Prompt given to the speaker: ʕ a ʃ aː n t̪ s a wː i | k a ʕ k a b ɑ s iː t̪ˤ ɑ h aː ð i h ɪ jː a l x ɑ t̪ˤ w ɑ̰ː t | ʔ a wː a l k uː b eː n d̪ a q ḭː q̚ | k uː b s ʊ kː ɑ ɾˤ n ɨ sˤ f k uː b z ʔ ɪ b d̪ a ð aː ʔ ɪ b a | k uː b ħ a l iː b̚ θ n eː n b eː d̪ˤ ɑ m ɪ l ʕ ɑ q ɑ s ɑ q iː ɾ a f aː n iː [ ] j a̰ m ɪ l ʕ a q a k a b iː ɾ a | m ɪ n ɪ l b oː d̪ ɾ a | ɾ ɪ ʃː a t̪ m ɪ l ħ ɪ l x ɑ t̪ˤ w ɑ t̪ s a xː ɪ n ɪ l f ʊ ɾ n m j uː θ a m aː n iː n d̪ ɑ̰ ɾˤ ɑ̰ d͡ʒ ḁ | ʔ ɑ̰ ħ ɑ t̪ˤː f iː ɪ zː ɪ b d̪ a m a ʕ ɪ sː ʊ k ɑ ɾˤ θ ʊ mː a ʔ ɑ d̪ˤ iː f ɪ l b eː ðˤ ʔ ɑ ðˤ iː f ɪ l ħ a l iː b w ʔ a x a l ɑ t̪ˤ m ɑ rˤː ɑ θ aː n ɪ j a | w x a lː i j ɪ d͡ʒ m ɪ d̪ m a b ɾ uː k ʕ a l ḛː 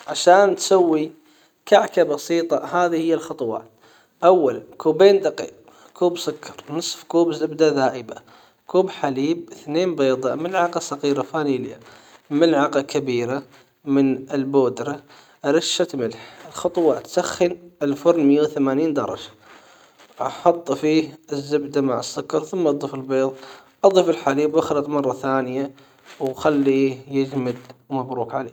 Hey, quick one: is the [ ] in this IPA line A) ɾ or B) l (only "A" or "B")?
B